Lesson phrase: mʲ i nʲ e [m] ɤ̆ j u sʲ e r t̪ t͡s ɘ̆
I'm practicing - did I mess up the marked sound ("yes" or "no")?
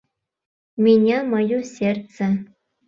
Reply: no